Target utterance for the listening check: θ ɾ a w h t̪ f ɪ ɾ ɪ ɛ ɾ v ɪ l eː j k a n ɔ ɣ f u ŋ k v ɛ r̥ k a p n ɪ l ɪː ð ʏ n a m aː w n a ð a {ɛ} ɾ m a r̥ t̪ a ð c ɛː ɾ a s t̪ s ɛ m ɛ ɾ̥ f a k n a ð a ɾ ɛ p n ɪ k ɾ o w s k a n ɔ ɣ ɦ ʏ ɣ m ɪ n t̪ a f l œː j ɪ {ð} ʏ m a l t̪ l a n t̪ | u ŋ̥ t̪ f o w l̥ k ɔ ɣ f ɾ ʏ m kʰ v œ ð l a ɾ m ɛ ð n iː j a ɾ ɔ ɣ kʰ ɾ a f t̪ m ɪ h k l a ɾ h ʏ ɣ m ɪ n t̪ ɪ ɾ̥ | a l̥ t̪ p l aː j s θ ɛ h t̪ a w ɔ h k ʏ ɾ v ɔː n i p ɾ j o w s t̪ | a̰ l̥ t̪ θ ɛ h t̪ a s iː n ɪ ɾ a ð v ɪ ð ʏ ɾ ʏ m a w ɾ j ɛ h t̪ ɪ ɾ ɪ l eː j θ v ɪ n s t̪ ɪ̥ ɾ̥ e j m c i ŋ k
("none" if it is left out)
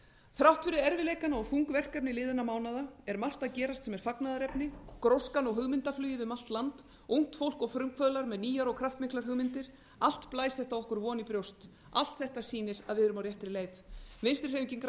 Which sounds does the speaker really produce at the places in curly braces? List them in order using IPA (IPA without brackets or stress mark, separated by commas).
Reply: ɛ, ð